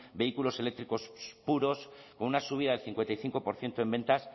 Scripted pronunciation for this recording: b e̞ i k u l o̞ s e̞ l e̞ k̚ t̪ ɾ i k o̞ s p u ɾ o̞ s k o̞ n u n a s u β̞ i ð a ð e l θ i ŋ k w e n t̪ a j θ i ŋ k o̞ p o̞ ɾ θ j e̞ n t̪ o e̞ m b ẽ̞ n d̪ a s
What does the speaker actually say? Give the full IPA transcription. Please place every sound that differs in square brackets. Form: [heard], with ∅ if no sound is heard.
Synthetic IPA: b e̞ i k u l o̞ s e̞ l e̞ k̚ t̪ ɾ i k o̞ s p u ɾ o̞ s k o̞ n u n a s u β̞ i ð a ð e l θ i ŋ k w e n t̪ a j θ i ŋ k o̞ p o̞ ɾ θ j e̞ n t̪ o e̞ m b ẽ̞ n [t̪] a s

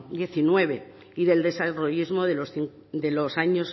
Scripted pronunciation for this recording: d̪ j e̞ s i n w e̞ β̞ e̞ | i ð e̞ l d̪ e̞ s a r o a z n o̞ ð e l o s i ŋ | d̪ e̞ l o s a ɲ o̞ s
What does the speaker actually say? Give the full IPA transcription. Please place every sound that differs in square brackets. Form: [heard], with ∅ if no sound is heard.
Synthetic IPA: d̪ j e̞ [θ] i n w e̞ β̞ e̞ | i ð e̞ l d̪ e̞ s a r o [i] z [m] o̞ ð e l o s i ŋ | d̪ e̞ l o s a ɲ o̞ s

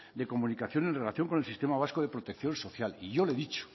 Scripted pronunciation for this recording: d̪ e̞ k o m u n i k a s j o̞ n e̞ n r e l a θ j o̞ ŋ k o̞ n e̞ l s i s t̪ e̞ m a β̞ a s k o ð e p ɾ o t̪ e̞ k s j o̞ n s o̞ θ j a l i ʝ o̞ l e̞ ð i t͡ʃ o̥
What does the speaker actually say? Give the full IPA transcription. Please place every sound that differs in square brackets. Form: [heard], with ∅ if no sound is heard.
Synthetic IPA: d̪ e̞ k o m u n i k a [θ] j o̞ n e̞ n r e l a θ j o̞ ŋ k o̞ n e̞ l s i s t̪ e̞ m a β̞ a s k o ð e p ɾ o t̪ e̞ k [θ] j o̞ n s o̞ θ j a l i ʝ o̞ l e̞ ð i t͡ʃ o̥

